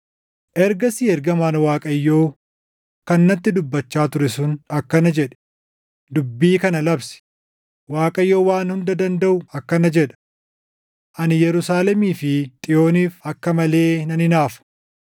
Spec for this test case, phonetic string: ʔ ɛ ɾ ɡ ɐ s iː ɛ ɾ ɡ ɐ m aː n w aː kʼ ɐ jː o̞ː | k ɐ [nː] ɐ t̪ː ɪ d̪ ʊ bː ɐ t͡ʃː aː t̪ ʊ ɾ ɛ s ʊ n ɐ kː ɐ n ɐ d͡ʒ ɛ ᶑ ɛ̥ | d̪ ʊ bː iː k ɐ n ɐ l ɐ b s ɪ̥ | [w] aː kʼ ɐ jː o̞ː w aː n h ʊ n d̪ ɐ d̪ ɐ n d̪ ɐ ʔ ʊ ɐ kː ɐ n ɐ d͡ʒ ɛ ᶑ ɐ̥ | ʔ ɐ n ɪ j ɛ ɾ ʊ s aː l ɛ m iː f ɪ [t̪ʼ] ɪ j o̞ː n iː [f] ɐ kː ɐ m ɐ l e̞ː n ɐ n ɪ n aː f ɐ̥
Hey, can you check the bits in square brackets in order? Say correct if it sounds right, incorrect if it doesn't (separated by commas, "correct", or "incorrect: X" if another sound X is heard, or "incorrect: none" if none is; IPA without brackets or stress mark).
correct, correct, correct, correct